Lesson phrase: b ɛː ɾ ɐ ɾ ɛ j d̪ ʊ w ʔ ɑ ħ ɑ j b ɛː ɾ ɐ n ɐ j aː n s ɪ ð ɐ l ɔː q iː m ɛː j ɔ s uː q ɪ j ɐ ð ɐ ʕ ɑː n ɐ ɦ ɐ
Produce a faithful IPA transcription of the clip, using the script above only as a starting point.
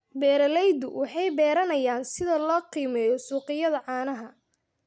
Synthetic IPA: b ɛː ɾ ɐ l ɛ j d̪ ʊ w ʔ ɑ ħ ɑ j b ɛː ɾ ɐ n ɐ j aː n s ɪ ð ɐ l ɔː q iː m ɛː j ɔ s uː q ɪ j ɐ ð ɐ ʕ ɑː n ɐ ɦ ɐ